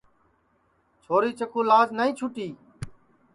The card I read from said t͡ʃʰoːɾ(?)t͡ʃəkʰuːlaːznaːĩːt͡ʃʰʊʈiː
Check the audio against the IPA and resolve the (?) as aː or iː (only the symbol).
iː